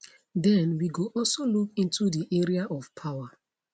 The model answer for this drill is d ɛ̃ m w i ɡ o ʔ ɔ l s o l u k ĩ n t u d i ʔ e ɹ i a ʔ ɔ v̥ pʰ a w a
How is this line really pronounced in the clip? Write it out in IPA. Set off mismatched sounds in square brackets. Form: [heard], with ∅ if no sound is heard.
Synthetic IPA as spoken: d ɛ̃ [n] w i ɡ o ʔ ɔ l s o l u k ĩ n t u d i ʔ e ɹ i a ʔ ɔ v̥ pʰ a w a